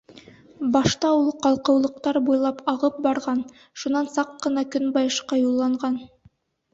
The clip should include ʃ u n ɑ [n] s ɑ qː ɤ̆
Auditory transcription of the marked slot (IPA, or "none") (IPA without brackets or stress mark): n